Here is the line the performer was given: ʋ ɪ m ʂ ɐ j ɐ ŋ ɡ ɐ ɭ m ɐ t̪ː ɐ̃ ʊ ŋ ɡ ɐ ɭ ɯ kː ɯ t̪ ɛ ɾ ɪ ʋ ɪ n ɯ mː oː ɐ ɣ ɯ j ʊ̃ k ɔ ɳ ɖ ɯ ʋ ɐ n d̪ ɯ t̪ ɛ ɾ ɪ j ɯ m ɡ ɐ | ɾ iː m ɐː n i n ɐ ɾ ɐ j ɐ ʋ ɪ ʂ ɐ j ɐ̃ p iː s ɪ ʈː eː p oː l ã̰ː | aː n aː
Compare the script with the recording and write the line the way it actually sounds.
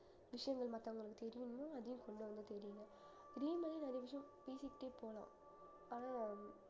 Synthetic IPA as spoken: ʋ ɪ ʂ ɐ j ɐ ŋ ɡ ɐ ɭ m ɐ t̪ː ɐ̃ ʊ ŋ ɡ ɐ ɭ ɯ kː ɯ t̪ ɛ ɾ ɪ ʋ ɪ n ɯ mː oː ɐ ð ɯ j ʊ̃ k ɔ ɳ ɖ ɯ ʋ ɐ n d̪ ɯ t̪ ɛ ɾ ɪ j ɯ ŋ ɡ ɐ | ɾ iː m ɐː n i n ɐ ɾ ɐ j ɐ ʋ ɪ ʂ ɐ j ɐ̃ p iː s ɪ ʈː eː p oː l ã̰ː | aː n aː

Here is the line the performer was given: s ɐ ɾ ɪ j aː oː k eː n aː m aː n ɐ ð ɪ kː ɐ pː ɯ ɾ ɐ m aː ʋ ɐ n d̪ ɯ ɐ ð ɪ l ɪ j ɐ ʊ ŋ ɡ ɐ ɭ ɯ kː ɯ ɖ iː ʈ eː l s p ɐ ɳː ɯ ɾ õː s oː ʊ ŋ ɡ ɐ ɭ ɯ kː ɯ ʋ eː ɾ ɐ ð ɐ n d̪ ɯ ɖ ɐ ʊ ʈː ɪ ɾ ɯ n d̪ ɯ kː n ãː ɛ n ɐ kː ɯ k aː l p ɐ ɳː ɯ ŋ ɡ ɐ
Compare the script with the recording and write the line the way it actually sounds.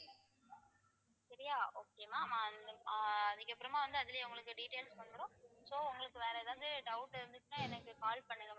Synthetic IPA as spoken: s ɐ ɾ ɪ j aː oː k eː m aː m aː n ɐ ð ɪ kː ɐ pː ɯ ɾ ɐ m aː ʋ ɐ n d̪ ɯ ɐ ð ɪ l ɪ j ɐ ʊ ŋ ɡ ɐ ɭ ɯ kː ɯ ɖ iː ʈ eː l s p ɐ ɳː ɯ ɾ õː s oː ʊ ŋ ɡ ɐ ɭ ɯ kː ɯ ʋ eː ɾ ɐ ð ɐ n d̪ ɯ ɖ ɐ ʊ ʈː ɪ ɾ ɯ n d̪ ɯ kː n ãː ɛ n ɐ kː ɯ k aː l p ɐ ɳː ɯ ŋ ɡ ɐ

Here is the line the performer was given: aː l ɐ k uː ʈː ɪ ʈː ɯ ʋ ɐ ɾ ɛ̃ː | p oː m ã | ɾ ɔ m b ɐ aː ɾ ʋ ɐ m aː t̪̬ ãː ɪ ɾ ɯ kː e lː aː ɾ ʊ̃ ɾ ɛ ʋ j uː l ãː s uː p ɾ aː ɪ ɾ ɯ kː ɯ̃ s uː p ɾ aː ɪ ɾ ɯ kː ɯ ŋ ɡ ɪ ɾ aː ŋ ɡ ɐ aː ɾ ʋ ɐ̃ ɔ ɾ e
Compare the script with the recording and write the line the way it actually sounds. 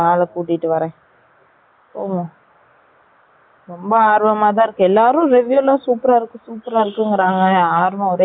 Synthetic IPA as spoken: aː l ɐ k uː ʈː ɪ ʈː ɯ ʋ ɐ ɾ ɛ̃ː | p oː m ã | ɾ ɔ m b ɐ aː ɾ ʋ ɐ m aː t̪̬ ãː ɪ ɾ ɯ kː ɛ lː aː ɾ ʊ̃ ɾ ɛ ʋ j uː l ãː s uː p ɾ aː ɪ ɾ ɯ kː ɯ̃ s uː p ɾ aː ɪ ɾ ɯ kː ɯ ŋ ɡ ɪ ɾ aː ŋ ɡ ɐ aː ɾ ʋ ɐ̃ ɔ ɾ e

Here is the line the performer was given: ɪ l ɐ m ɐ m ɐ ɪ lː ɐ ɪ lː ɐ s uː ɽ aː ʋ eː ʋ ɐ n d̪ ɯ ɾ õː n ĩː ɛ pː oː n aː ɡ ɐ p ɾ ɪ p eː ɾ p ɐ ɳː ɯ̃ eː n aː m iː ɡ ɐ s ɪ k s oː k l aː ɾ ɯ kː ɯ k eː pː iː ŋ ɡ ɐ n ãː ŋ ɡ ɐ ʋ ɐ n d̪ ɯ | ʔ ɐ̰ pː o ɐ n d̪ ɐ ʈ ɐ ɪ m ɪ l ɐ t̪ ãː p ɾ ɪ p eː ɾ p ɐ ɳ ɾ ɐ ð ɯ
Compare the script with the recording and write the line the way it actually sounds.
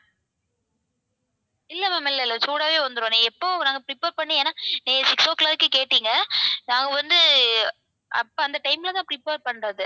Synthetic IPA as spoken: ɪ lː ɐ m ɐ m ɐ ɪ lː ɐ ɪ lː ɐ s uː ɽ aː ʋ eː ʋ ɐ n d̪ ɯ ɾ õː n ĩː ɛ pː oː n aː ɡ ɐ p ɾ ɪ p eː ɾ p ɐ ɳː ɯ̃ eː n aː n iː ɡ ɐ s ɪ k s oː k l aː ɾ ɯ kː ɯ k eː ʈː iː ŋ ɡ ɐ n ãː ŋ ɡ ɐ ʋ ɐ n d̪ ɯ | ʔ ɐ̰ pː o ɐ n d̪ ɐ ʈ ɐ ɪ m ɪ l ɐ t̪ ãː p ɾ ɪ p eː ɾ p ɐ ɳ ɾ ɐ ð ɯ

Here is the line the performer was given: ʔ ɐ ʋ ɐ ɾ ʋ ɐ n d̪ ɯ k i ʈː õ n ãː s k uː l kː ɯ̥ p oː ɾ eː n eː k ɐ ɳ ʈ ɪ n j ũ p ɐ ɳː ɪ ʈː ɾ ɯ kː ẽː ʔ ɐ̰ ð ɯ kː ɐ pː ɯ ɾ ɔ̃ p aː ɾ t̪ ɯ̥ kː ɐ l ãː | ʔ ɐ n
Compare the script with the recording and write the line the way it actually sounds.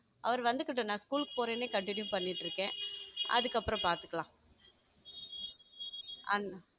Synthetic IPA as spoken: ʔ ɐ ʋ ɐ ɾ ʋ ɐ n d̪ ɯ k ɪ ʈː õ n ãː s k uː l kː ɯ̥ p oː ɾ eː n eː k ɐ ɳ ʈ ɪ n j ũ p ɐ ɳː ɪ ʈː ɾ ɯ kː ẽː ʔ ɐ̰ ð ɯ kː ɐ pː ɯ ɾ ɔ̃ p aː ɾ t̪ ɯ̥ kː ɐ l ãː | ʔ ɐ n

